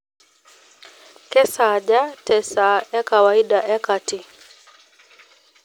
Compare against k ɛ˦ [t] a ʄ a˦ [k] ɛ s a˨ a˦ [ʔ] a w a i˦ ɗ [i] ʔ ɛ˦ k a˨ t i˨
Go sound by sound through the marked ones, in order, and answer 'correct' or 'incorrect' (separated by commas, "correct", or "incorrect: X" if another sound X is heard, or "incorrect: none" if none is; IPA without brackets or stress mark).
incorrect: s, incorrect: t, incorrect: k, incorrect: a